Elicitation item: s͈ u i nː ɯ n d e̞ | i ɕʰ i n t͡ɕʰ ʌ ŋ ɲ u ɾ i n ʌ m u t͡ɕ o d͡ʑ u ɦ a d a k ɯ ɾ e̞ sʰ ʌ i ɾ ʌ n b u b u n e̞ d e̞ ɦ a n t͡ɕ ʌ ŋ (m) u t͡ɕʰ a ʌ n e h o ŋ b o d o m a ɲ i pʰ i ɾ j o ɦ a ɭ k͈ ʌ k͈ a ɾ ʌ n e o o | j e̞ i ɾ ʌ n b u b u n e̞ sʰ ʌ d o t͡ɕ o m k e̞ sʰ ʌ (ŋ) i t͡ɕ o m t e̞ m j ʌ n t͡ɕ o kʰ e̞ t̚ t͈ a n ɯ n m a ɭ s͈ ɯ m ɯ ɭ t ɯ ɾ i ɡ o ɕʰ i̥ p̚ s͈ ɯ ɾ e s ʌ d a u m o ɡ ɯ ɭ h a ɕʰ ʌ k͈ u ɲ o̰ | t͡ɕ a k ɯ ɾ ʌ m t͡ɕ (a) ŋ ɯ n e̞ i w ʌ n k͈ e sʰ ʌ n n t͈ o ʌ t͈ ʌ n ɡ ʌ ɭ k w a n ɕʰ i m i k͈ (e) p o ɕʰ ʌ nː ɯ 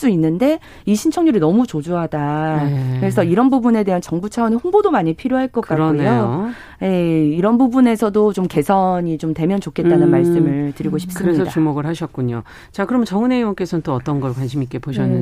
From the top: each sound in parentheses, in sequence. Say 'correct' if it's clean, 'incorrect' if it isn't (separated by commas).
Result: incorrect, incorrect, incorrect, correct